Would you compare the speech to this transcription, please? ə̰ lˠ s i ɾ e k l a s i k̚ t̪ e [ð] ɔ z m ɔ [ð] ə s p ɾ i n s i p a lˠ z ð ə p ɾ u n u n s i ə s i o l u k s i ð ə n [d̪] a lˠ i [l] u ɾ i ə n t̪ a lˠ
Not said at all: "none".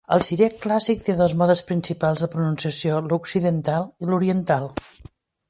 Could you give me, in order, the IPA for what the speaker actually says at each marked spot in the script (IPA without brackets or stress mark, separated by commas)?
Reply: ð, ð, t̪, l